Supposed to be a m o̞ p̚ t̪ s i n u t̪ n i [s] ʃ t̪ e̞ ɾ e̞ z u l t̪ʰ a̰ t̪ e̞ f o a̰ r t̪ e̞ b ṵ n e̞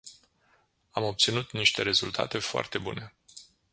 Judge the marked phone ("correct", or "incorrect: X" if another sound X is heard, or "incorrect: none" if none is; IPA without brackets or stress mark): incorrect: none